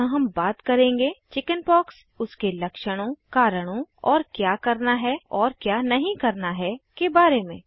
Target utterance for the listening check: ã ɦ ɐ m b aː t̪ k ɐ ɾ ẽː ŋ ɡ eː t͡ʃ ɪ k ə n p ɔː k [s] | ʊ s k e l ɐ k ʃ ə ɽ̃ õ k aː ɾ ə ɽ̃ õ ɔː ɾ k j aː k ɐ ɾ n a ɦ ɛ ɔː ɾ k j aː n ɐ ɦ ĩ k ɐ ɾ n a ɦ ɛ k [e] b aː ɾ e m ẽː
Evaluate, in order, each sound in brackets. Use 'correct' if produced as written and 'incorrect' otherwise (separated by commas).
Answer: correct, correct